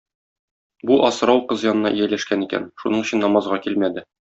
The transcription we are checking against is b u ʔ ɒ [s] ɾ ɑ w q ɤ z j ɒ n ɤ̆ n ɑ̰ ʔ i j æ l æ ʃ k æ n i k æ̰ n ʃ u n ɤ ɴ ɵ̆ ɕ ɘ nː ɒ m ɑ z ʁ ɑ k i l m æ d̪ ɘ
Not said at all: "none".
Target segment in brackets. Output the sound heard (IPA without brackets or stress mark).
s